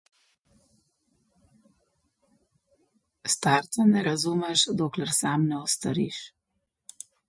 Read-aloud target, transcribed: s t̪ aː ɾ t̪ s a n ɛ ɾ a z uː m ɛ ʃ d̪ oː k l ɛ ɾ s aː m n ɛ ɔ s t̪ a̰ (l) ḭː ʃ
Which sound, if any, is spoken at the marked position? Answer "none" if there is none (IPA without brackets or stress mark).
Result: ɾ